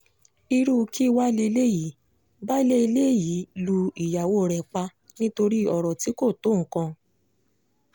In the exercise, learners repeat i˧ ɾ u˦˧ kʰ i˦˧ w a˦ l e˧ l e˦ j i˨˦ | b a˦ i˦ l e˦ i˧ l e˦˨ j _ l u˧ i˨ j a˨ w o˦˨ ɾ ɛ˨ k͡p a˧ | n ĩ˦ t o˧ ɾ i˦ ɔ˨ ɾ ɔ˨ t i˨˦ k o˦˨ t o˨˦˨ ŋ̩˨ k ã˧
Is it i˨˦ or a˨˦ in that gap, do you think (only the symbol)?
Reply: i˨˦